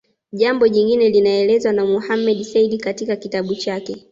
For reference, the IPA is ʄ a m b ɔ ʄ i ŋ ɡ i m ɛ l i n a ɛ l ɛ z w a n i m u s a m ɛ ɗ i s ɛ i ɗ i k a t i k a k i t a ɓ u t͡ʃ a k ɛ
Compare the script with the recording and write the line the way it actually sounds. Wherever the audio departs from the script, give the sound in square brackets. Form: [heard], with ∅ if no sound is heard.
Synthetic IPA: ʄ a m b ɔ ʄ i ŋ ɡ i [n] ɛ l i n a ɛ l ɛ z w a n [a] m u [h] a m ɛ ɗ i s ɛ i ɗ i k a t i k a k i t a ɓ u t͡ʃ a k ɛ